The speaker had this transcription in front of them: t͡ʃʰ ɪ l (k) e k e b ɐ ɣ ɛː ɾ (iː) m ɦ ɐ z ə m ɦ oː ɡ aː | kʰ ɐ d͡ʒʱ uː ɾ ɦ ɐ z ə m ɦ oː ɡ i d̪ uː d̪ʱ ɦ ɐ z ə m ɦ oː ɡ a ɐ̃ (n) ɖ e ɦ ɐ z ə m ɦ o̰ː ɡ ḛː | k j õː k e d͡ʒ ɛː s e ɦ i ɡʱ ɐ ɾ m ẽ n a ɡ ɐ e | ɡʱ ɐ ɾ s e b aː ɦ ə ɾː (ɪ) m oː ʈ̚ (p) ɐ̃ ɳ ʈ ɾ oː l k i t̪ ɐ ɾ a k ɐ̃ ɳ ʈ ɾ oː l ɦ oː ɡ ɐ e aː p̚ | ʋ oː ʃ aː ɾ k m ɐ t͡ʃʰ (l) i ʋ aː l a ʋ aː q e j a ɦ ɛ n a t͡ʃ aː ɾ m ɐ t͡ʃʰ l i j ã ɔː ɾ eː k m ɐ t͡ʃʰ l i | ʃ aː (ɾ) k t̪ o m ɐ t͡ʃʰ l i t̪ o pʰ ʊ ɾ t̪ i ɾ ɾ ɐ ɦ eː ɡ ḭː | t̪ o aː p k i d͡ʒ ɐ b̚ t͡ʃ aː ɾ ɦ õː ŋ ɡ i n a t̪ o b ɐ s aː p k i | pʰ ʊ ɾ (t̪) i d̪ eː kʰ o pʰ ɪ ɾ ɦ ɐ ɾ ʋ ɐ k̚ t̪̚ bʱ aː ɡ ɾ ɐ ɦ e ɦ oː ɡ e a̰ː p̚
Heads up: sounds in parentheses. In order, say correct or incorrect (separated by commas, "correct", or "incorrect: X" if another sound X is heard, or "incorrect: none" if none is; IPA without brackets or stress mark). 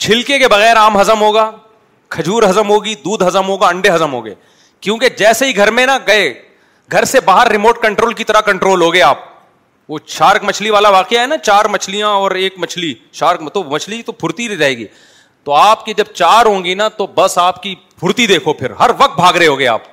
correct, incorrect: aː, incorrect: ɳ, correct, incorrect: k, correct, correct, correct